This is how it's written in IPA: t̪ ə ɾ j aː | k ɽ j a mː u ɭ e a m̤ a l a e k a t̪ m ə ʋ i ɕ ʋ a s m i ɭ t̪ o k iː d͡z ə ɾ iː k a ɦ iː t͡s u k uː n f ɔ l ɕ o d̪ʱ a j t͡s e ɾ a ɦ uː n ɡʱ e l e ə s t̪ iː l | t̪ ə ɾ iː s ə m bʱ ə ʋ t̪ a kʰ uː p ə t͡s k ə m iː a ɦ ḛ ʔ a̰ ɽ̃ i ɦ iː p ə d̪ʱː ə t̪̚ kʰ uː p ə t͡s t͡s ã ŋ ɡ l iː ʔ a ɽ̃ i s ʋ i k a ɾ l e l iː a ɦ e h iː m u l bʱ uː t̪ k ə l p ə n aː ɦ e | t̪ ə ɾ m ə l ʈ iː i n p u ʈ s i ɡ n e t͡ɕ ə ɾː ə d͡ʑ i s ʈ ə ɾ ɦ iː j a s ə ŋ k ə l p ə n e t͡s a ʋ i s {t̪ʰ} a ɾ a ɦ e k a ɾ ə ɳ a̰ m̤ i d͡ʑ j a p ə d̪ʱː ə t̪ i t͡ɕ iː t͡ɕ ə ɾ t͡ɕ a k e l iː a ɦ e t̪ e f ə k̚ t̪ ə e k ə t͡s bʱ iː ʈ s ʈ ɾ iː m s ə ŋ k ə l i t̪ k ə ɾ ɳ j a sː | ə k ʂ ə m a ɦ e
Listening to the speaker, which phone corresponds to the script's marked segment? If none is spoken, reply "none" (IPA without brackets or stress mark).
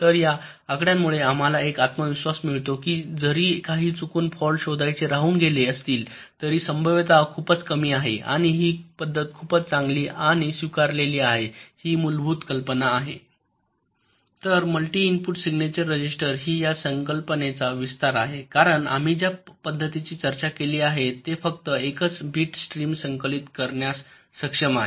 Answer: t̪